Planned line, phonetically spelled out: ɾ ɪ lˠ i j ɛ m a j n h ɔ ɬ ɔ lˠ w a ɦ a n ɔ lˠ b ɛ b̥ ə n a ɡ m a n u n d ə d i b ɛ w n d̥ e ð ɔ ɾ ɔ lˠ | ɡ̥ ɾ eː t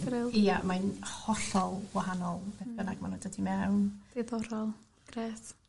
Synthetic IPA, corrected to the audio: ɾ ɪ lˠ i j a m a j n h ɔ ɬ ɔ lˠ w a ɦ a n ɔ lˠ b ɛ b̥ ə n a ɡ m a n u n d ə d i m ɛ w n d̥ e ð ɔ ɾ ɔ lˠ | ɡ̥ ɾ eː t